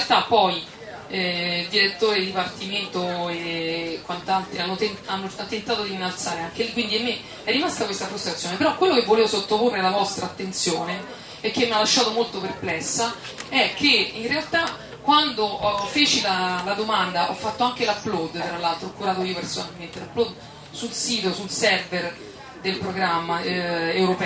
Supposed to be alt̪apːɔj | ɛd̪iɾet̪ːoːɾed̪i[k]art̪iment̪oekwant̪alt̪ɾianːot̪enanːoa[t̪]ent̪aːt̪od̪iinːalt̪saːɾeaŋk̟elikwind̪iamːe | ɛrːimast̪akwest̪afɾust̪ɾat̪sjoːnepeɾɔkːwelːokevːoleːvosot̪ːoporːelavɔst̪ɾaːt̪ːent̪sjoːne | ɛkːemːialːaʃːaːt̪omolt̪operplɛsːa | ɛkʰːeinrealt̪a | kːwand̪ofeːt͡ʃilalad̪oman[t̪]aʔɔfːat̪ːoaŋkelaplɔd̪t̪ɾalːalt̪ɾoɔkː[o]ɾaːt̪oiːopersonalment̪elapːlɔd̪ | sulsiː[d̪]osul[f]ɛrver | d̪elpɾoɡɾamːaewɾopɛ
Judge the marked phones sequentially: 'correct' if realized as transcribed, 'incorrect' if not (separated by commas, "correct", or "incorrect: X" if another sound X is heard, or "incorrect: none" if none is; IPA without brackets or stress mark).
incorrect: p, correct, incorrect: d̪, incorrect: u, incorrect: t̪, incorrect: s